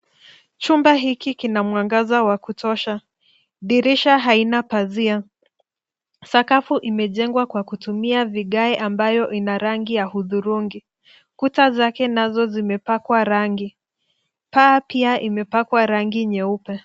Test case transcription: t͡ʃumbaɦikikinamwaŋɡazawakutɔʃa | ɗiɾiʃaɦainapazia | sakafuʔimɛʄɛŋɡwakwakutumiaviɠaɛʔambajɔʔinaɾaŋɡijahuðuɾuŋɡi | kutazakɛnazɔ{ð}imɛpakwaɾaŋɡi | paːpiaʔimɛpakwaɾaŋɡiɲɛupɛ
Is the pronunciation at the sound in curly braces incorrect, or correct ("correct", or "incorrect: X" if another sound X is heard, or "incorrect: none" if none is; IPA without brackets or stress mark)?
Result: incorrect: z